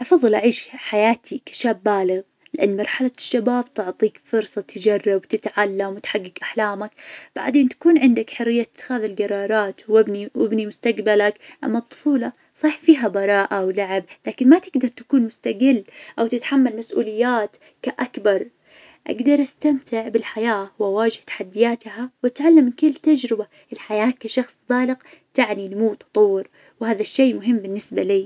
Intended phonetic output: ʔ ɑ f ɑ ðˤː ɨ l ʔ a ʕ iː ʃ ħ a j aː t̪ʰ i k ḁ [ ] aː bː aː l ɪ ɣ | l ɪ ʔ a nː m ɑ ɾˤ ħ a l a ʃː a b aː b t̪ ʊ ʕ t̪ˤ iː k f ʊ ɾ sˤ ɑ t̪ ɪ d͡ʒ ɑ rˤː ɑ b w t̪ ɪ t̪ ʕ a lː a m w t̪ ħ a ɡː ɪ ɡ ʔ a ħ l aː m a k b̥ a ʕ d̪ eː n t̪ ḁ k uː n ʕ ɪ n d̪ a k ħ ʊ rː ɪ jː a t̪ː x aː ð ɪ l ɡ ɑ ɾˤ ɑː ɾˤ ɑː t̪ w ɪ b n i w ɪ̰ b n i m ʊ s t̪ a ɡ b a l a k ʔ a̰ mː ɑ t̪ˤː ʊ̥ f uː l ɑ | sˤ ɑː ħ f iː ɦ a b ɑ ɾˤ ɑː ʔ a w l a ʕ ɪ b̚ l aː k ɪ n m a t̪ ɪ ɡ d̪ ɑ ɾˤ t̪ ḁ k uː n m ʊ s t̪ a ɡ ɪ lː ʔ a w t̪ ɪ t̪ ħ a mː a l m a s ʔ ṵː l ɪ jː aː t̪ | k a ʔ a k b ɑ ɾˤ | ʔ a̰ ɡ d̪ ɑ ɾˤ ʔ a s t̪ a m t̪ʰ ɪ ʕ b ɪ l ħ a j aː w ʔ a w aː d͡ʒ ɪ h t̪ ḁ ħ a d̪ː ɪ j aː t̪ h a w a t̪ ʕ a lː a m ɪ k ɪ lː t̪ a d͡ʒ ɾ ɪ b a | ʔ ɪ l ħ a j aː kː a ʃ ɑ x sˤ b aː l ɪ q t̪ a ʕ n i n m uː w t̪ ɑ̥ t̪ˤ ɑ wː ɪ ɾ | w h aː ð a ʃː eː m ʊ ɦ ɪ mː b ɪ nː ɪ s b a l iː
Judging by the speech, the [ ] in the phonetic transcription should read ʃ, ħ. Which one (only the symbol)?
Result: ʃ